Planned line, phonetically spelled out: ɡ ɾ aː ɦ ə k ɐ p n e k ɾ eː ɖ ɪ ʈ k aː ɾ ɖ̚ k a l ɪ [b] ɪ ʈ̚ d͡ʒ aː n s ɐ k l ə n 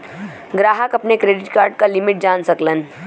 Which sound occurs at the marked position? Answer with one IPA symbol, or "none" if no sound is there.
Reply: m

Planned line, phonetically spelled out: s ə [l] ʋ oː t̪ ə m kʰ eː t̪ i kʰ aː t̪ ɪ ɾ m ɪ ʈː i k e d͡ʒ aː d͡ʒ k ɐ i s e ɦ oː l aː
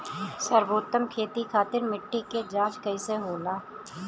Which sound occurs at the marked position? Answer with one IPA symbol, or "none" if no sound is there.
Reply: ɾ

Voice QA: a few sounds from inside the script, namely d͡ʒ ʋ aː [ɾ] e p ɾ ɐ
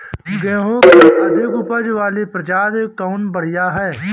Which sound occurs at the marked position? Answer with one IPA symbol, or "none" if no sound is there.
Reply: l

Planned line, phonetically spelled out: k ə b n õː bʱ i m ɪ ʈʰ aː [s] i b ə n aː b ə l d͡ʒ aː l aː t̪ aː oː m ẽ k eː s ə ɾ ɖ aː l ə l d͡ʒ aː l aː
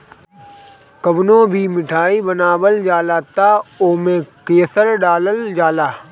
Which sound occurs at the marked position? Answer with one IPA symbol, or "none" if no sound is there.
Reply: none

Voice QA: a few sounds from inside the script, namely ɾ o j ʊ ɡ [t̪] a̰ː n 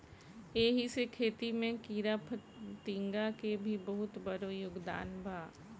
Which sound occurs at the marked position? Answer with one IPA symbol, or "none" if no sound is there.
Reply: d̪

